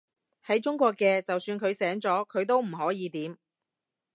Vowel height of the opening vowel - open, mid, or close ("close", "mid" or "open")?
open